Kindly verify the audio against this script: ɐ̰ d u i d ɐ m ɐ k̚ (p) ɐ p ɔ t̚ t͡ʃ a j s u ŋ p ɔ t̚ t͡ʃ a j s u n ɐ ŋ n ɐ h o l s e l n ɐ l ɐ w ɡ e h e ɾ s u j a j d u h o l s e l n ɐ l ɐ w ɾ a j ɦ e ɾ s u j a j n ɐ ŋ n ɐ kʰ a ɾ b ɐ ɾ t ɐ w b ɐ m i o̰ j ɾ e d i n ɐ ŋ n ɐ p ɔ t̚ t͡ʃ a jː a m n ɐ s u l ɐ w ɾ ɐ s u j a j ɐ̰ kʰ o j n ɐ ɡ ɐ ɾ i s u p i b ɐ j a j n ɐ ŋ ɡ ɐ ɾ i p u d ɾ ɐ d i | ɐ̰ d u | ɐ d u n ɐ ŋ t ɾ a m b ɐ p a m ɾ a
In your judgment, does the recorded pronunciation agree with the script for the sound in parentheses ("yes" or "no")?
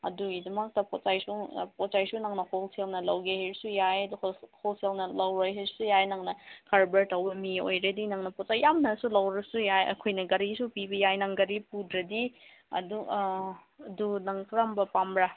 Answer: no